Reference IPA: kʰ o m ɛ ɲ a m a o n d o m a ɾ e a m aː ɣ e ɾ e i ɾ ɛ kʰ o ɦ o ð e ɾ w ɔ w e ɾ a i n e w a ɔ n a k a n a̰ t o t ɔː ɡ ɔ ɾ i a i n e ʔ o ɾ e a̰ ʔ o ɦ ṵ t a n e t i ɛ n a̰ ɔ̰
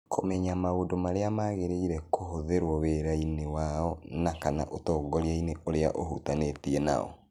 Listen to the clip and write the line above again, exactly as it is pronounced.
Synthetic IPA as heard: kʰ o m ɛ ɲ a m a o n d o m a ɾ e a m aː ɣ e ɾ e i ɾ ɛ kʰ o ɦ o ð e ɾ w ɔ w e ɾ a i n e w a ɔ n a k a n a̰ ʔ o t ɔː ɡ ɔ ɾ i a i n e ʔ o ɾ e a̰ ʔ o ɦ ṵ t a n e t i ɛ n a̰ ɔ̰